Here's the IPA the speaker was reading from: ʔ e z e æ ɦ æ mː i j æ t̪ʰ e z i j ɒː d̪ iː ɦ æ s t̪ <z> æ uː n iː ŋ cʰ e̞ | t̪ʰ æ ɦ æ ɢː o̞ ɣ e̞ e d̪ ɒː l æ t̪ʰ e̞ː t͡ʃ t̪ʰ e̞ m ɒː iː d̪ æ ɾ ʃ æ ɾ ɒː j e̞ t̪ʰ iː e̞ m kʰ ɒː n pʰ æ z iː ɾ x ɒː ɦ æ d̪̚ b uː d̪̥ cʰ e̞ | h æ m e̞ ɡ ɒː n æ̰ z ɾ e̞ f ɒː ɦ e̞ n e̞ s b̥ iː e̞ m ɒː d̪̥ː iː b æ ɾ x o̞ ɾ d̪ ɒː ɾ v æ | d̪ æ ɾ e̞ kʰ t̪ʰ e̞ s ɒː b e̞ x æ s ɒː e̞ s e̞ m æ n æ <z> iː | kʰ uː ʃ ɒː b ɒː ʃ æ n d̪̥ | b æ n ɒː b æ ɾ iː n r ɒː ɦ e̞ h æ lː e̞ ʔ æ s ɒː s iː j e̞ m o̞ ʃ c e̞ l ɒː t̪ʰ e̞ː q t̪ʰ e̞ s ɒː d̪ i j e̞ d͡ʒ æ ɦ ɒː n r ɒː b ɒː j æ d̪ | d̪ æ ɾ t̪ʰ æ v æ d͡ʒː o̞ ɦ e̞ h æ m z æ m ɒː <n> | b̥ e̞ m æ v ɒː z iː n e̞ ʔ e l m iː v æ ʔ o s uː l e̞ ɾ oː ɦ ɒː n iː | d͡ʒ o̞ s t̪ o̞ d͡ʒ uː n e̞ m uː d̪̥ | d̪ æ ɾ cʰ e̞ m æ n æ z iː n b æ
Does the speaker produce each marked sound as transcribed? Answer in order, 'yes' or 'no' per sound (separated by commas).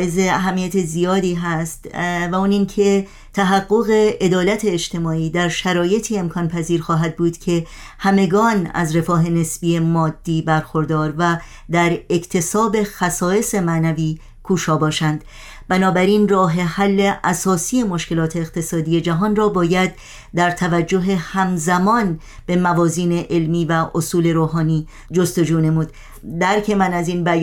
no, no, yes